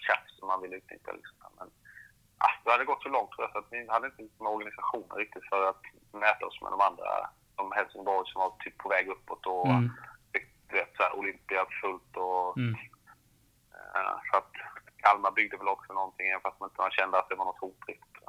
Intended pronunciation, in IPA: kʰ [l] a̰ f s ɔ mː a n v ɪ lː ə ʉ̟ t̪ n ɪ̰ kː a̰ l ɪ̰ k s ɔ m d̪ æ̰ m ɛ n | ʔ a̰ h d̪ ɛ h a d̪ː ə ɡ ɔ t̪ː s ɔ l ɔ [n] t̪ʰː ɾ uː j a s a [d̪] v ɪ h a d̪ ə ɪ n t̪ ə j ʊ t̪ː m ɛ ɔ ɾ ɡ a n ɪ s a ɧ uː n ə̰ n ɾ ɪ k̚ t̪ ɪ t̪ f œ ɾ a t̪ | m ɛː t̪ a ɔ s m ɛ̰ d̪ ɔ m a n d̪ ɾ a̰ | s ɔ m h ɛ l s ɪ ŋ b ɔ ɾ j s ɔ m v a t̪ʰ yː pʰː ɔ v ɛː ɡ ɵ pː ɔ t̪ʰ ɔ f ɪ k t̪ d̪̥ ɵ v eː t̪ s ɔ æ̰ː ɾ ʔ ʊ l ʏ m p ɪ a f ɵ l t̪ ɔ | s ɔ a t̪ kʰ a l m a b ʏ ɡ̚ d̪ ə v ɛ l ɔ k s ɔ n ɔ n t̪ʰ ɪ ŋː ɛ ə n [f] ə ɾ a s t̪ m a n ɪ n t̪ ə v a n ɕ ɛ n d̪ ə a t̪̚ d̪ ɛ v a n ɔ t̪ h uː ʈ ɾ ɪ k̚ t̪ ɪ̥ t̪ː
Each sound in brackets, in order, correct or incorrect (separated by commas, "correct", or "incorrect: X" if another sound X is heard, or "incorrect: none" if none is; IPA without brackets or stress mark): incorrect: ɾ, incorrect: ŋ, incorrect: t̪, correct